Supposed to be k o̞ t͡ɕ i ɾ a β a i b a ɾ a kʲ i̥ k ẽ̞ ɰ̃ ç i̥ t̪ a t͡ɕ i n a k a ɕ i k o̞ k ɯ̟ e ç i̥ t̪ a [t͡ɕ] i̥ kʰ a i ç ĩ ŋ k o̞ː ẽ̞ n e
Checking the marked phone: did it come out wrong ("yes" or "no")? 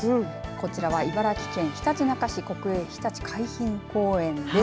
no